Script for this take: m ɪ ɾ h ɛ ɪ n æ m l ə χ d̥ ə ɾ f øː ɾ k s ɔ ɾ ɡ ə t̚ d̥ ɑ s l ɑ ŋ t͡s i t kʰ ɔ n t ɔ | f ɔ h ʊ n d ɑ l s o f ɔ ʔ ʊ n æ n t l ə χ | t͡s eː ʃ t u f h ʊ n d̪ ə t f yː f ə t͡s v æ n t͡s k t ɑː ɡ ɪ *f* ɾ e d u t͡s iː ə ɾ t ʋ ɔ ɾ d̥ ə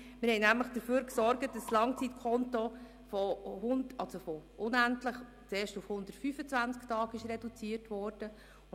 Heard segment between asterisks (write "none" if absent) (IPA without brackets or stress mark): ʃ